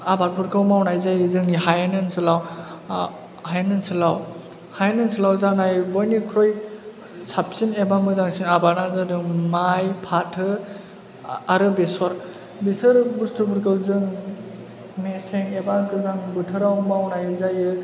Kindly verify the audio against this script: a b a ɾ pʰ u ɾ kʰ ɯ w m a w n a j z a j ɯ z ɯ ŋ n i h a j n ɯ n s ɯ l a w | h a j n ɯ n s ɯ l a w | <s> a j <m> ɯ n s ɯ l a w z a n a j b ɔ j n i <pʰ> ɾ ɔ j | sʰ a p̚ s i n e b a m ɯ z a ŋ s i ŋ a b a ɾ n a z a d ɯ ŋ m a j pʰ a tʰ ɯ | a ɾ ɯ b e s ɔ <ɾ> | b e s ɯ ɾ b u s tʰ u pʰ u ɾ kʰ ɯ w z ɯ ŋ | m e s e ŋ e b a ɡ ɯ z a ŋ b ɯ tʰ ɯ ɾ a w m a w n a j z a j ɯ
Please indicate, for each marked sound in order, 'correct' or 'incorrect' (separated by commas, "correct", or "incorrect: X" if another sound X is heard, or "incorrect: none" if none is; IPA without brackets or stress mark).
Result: incorrect: h, incorrect: n, incorrect: kʰ, correct